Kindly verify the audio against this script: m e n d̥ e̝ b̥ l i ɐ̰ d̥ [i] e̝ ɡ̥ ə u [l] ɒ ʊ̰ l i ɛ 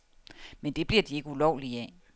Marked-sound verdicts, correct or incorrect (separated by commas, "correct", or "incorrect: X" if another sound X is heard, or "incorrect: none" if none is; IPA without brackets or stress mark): correct, correct